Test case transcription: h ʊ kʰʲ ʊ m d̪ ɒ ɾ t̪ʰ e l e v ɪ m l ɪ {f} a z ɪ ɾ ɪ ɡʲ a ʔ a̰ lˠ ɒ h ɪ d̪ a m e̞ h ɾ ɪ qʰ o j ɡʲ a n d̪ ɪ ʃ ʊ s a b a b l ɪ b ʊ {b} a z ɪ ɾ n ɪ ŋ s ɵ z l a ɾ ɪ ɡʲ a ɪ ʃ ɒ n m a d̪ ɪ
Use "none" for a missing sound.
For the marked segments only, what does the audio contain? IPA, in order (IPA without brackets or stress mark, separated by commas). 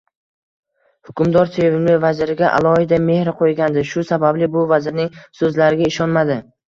v, v